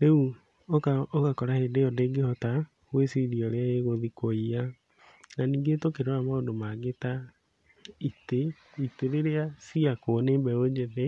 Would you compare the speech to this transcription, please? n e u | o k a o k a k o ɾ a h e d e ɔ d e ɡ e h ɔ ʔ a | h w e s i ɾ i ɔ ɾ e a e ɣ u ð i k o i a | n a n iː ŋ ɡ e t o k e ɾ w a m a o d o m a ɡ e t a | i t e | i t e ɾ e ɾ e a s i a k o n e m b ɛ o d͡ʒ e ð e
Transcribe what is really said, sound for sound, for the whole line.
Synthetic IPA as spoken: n e u | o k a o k a k ɔ ɾ a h e d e ɔ d e ɡ e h ɔ t a | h w e s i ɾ i ɔ ɾ e a e ɣ o ð i k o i a | n a n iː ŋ ɡ e t o k e ɾ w a m a o d o m a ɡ e t a | i t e | i t e ɾ e ɾ e a s i a k o n e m b ɛ o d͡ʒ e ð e